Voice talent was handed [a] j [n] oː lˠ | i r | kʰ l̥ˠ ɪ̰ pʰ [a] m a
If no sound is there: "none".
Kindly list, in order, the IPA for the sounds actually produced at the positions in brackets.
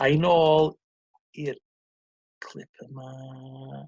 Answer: a, n, ə

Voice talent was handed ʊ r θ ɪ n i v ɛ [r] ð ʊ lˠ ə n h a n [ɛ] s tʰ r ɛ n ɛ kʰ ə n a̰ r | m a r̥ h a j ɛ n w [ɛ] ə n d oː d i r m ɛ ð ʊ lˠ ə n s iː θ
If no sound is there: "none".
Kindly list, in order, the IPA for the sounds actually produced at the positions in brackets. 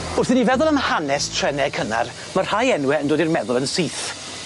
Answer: none, ɛ, ɛ

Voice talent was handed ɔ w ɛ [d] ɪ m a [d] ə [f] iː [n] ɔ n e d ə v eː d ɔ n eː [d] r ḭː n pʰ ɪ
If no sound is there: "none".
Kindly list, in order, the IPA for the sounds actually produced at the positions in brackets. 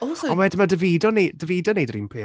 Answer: d, d, v, d, d

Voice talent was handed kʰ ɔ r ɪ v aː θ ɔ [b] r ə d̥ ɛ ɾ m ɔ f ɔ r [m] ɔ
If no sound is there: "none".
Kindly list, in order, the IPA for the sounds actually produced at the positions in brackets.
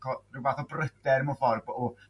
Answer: b, b

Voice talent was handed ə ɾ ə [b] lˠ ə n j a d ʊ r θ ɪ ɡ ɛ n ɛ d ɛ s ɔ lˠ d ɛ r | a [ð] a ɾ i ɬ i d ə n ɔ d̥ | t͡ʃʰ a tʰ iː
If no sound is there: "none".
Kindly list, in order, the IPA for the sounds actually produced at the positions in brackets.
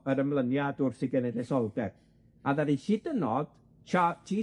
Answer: m, ð

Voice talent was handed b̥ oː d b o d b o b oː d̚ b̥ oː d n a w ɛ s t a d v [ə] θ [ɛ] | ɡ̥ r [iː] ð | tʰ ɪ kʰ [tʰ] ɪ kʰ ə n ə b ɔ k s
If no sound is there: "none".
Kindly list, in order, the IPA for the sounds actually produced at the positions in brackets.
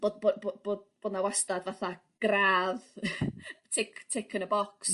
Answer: a, a, aː, tʰ

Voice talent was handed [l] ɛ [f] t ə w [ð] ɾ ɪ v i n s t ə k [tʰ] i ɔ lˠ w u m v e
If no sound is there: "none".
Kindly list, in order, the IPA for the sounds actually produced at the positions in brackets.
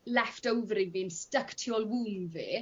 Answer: l, f, v, tʰ

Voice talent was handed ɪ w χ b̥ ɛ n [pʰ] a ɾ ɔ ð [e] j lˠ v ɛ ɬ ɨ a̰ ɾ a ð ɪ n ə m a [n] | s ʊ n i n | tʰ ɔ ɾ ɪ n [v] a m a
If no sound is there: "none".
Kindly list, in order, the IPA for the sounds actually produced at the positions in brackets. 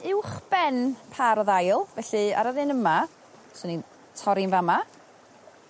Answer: pʰ, a, none, v

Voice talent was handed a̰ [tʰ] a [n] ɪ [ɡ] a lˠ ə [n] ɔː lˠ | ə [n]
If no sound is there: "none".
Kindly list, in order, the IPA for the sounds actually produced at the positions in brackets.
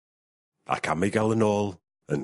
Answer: kʰ, m, ɡ, n, n

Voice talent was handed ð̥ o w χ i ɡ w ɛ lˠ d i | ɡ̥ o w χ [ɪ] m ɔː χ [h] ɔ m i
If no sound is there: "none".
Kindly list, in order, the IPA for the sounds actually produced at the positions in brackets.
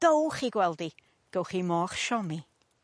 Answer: i, ʃ

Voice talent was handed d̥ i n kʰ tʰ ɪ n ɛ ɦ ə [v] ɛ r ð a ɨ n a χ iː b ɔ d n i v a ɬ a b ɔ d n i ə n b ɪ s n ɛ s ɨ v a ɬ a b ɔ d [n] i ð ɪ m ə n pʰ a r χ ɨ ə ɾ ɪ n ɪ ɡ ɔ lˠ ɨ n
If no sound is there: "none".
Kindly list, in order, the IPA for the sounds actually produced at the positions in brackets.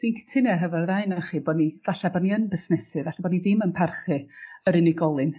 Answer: v, n

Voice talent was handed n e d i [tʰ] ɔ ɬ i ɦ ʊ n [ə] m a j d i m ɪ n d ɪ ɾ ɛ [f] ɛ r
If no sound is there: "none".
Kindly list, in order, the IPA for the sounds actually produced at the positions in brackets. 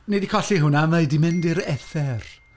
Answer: kʰ, a, θ

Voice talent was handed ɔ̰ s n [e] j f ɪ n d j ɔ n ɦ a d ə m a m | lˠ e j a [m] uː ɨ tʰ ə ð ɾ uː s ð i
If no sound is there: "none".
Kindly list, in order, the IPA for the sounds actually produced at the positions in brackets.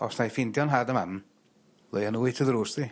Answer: a, n

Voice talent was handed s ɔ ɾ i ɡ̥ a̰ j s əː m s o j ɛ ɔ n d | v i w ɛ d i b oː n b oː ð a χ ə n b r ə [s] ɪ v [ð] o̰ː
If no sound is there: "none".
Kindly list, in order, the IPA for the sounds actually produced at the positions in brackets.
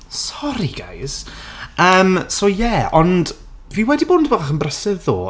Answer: s, ð

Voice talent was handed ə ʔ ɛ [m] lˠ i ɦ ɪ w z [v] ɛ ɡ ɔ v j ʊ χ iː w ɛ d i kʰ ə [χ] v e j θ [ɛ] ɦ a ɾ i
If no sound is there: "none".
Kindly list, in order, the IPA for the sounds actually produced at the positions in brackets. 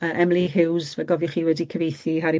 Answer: m, v, none, i

